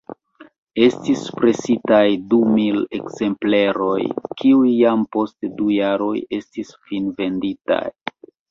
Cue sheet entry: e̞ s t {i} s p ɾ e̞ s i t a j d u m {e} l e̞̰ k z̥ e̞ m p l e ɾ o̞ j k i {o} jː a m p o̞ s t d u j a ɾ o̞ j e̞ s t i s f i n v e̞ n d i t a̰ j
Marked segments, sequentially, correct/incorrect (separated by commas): correct, incorrect, incorrect